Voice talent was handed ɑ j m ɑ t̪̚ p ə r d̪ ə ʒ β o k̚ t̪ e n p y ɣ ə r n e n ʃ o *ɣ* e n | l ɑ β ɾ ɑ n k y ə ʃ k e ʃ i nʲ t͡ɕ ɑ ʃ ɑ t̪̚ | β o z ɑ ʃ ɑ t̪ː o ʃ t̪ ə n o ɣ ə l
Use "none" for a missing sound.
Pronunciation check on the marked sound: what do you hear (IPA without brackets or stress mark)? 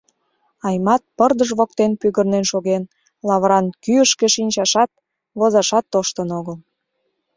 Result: ɣ